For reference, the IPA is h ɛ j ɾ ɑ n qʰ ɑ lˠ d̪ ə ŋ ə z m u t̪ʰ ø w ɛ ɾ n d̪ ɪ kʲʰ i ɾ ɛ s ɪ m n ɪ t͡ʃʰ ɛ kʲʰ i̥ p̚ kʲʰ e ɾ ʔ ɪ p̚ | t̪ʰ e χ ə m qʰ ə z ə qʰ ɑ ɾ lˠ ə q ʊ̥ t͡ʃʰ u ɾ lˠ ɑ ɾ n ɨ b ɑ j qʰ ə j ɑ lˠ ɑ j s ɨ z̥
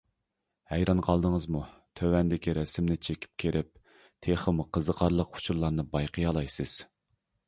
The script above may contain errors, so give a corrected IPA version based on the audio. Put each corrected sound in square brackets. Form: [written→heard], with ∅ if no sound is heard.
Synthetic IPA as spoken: h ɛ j ɾ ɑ n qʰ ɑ lˠ d̪ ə ŋ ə z m u t̪ʰ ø w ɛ [ɾ→∅] n d̪ ɪ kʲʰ i ɾ ɛ s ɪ m n ɪ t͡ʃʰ [ɛ→e] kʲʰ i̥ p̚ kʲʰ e ɾ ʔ ɪ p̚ | t̪ʰ e χ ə m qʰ ə z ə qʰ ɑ ɾ lˠ ə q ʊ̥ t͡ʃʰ u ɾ lˠ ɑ ɾ n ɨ b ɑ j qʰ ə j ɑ lˠ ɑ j s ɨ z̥